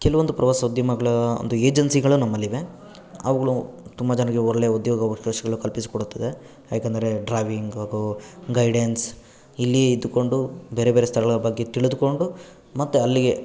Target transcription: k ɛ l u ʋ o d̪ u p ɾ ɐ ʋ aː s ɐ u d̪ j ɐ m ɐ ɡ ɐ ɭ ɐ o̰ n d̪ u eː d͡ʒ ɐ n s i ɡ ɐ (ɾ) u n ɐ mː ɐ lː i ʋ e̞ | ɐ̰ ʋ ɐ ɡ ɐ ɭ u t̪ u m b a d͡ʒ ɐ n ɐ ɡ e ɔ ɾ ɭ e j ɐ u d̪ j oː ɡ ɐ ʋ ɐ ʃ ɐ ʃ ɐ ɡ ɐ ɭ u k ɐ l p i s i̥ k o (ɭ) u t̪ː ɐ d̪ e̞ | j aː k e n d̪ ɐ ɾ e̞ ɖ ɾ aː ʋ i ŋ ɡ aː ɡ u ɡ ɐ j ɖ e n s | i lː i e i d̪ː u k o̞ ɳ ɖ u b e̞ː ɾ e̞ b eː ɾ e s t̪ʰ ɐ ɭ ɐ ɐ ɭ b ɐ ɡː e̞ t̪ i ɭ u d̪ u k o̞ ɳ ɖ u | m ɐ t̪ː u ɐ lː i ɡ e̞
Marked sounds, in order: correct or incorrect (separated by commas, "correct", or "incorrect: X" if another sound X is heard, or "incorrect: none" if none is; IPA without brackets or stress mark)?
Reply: incorrect: ɭ, incorrect: ɽ